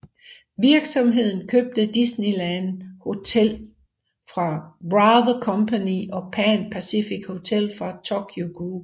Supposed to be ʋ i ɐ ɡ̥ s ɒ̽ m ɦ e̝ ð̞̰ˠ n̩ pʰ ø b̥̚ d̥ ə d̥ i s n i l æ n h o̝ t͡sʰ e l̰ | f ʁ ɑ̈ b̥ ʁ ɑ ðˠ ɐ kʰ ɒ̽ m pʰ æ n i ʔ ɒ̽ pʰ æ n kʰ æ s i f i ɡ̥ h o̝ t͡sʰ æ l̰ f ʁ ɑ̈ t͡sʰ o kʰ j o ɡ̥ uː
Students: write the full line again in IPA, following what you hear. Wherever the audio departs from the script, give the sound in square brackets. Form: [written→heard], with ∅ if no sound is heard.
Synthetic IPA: ʋ i ɐ ɡ̥ s ɒ̽ m ɦ e̝ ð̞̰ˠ n̩ [pʰ→kʰ] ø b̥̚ d̥ ə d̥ i s n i l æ n h o̝ t͡sʰ e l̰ | f ʁ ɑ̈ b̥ ʁ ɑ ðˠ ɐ kʰ ɒ̽ m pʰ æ n i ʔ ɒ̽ pʰ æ n [kʰ→pʰ] æ s i f i ɡ̥ h o̝ t͡sʰ [æ→e] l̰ f ʁ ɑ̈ t͡sʰ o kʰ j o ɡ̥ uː